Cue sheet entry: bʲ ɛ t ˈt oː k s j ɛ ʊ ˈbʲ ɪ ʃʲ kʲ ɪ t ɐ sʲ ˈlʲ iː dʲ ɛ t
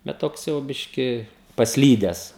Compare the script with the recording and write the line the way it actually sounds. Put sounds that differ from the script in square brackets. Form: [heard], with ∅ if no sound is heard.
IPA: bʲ ɛ t ˈt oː k s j ɛ ʊ ˈbʲ ɪ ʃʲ kʲ ɪ [p] ɐ sʲ ˈlʲ iː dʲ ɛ [s]